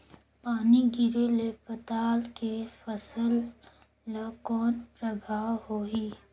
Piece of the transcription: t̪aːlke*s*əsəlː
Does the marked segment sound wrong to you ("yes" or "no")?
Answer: yes